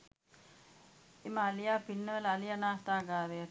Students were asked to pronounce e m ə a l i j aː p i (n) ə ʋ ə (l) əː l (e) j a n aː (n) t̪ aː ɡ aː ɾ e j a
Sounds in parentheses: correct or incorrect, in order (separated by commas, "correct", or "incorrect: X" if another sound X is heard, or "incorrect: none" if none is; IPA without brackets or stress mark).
incorrect: nː, correct, incorrect: i, incorrect: none